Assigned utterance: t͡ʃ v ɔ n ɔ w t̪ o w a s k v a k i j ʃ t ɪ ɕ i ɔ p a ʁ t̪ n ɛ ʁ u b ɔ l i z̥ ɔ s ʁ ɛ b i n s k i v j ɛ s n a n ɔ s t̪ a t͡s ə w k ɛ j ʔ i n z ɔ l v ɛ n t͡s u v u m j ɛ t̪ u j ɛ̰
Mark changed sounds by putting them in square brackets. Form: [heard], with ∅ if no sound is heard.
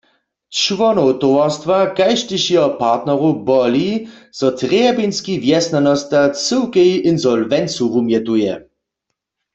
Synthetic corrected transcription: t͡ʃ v ɔ n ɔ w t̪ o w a s [t] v a k [a] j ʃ t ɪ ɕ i ɔ p a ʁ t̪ n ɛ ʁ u b ɔ l i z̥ ɔ [t] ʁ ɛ b i n s k i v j ɛ s n a n ɔ s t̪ a t͡s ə w k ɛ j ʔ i n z ɔ l v ɛ n t͡s u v u m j ɛ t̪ u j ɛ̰